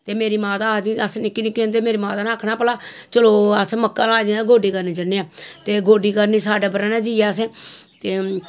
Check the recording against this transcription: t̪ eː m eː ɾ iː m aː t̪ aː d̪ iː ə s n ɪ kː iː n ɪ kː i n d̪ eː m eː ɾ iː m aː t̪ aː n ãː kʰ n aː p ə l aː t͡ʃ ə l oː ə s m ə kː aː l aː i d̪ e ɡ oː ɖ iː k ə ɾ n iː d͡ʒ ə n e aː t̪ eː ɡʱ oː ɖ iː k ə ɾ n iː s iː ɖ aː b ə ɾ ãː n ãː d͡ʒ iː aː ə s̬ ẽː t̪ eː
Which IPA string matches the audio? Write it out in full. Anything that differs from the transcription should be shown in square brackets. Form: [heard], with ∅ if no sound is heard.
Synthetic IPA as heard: t̪ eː m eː ɾ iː m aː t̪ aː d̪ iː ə s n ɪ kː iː n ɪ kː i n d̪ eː m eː ɾ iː m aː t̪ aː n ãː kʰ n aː p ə l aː t͡ʃ ə l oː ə s m ə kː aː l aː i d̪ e ɡ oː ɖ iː k ə ɾ n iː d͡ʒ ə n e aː t̪ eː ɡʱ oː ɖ iː k ə ɾ n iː s [aː] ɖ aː b ə ɾ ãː n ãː d͡ʒ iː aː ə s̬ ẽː t̪ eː

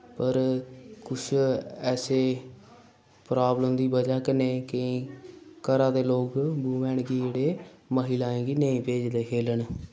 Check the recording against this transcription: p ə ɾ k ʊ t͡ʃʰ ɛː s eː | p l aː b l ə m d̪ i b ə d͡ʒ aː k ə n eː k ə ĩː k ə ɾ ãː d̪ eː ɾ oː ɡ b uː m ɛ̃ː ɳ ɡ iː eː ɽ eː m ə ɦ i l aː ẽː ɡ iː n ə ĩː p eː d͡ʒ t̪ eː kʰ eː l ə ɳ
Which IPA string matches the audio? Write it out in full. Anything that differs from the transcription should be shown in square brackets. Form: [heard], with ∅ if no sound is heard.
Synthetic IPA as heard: p ə ɾ k ʊ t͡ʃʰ ɛː s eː | p [ɾ] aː b l ə m d̪ [iː] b ə d͡ʒ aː k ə n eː k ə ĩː k ə ɾ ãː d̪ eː [l] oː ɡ b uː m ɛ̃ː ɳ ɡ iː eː ɽ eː m ə ɦ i l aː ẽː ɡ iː n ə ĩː p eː d͡ʒ [d̪] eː kʰ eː l ə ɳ

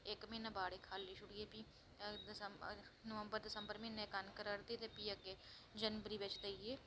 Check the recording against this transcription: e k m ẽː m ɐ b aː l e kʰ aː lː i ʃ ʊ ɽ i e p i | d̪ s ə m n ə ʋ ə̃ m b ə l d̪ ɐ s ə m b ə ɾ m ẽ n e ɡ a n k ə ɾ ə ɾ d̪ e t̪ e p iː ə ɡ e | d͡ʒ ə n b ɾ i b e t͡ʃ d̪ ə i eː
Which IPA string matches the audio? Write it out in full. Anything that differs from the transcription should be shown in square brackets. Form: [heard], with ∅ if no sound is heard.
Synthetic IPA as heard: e k m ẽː [n] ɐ b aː [ɽ] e kʰ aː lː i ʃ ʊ ɽ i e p i | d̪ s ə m n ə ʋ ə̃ m b ə [ɾ] d̪ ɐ s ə m b ə ɾ m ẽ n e [k] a n k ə ɾ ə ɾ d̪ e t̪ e p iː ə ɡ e | d͡ʒ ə n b ɾ i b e t͡ʃ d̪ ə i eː

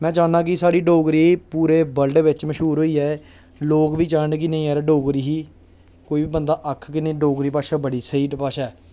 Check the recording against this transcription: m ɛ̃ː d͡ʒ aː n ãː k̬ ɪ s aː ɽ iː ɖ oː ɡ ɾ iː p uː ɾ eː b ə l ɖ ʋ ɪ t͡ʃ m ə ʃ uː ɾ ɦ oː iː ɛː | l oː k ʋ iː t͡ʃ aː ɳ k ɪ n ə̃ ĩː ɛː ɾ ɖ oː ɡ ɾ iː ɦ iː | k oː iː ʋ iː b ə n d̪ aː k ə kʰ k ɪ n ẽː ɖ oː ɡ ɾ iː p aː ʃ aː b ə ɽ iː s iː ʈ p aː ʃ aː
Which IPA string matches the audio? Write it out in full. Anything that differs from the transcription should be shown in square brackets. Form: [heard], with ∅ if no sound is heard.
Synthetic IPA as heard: m ɛ̃ː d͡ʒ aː n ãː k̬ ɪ s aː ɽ iː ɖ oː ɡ ɾ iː p uː ɾ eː b ə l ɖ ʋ ɪ t͡ʃ m ə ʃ uː ɾ ɦ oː iː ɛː | l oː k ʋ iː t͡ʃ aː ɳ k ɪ n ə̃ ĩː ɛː ɾ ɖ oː ɡ ɾ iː ɦ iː | k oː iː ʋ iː b ə n d̪ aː [ʔ] ə kʰ k ɪ n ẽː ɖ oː ɡ ɾ iː p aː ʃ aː b ə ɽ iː s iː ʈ p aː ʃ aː

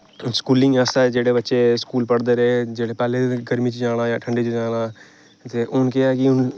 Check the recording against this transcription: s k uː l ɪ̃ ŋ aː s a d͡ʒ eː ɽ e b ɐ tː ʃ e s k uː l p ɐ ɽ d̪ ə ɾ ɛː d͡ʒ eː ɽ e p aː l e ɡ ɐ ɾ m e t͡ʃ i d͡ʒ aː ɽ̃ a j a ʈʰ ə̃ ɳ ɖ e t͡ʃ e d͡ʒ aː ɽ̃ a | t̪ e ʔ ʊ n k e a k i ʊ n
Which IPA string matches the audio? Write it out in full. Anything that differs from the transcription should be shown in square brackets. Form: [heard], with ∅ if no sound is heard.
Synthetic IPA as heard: s k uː l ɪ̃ ŋ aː s a d͡ʒ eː ɽ e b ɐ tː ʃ e s k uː l p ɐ ɽ d̪ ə ɾ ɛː d͡ʒ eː ɽ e p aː l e ɡ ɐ ɾ m [i] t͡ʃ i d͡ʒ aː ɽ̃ a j a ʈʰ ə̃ ɳ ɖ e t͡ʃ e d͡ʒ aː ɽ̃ a | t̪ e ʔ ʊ n k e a k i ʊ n

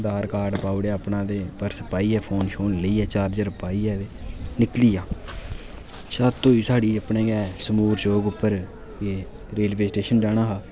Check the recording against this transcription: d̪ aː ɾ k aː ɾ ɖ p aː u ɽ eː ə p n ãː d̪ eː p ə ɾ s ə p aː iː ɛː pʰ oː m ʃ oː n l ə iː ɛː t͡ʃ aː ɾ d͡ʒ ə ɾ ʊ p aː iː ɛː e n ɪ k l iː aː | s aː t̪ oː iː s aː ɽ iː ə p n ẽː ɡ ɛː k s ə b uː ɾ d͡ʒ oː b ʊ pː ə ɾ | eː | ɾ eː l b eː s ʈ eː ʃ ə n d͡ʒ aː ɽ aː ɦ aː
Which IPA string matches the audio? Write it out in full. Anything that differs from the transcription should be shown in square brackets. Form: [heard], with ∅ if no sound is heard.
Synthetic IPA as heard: d̪ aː ɾ k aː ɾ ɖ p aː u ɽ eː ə p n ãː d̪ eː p ə ɾ s ə p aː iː ɛː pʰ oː [n] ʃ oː n l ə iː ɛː t͡ʃ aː ɾ d͡ʒ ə ɾ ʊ p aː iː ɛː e n ɪ k l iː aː | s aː t̪ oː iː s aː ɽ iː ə p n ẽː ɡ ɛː [∅] s ə [m] uː ɾ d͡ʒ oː [ɡ] ʊ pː ə ɾ | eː | ɾ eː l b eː s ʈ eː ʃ ə n d͡ʒ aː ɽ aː ɦ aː

